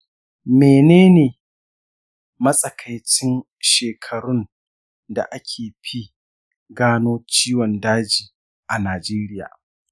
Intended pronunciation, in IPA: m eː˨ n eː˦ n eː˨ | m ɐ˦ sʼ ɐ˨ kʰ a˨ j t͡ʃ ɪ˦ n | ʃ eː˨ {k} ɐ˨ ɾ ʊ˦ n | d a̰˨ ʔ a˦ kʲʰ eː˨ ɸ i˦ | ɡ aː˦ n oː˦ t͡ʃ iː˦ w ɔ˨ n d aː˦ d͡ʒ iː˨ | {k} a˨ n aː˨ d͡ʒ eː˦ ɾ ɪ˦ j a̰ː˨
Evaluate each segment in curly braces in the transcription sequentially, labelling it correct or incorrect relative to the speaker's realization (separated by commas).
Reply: incorrect, incorrect